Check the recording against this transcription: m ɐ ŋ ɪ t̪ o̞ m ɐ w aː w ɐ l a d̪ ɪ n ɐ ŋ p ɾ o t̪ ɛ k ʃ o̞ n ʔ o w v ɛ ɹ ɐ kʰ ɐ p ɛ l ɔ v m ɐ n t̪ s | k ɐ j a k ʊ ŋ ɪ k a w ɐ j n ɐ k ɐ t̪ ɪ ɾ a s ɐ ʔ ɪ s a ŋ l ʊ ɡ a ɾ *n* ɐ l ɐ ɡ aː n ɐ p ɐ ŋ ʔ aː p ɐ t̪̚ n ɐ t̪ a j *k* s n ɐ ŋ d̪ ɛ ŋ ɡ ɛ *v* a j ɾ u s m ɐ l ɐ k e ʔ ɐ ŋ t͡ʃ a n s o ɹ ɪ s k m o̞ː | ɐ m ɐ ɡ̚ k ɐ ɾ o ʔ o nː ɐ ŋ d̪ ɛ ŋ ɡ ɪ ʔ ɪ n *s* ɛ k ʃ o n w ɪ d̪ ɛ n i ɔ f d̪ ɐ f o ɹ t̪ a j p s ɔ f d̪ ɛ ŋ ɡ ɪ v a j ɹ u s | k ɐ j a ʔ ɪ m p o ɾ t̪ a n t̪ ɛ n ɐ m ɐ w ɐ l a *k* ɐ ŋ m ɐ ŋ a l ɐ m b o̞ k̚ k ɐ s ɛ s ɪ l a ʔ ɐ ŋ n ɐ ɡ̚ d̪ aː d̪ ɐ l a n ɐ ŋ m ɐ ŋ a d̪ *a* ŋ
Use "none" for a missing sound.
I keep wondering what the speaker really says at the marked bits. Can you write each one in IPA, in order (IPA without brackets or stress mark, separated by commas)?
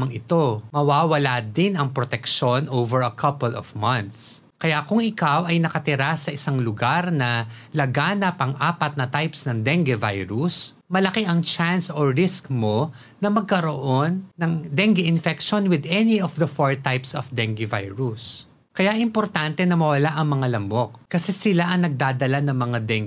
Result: n, p, v, f, ʔ, ɛ